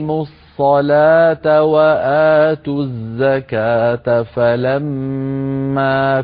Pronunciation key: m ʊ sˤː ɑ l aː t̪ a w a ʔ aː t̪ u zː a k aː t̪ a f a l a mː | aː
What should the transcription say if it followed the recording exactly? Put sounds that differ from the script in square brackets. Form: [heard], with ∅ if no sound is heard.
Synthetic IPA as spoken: m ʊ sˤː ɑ l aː t̪ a w a ʔ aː t̪ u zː a k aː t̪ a f a l a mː | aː